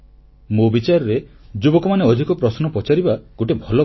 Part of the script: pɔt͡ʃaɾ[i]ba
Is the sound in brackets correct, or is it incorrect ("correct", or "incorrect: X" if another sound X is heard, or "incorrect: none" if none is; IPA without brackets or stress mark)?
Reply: correct